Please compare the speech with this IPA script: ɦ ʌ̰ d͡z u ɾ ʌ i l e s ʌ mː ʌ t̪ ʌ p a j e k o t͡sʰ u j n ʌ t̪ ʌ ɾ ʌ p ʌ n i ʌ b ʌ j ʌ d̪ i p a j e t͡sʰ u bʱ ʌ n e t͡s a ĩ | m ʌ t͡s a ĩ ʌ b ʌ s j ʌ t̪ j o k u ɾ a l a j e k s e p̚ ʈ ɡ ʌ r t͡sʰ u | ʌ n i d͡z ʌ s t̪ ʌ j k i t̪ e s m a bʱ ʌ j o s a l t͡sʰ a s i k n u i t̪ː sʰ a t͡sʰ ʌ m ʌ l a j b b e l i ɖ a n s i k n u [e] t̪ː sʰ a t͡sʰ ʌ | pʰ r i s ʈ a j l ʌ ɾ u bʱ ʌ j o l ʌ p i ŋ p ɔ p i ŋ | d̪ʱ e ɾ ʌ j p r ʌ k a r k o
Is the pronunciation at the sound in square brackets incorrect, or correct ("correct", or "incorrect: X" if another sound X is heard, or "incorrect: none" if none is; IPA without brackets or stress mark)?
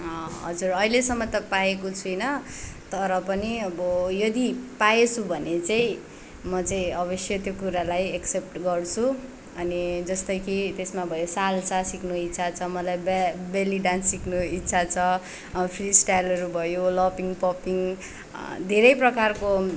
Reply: incorrect: i